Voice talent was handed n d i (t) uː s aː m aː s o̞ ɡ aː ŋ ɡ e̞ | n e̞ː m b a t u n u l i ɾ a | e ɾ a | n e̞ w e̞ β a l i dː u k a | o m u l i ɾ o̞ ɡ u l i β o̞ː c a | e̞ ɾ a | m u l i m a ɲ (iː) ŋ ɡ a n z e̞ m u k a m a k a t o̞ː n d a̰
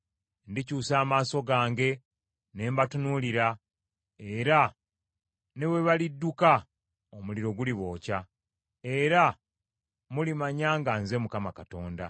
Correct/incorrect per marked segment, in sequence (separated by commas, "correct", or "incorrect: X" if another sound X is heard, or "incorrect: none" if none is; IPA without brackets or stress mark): incorrect: c, incorrect: aː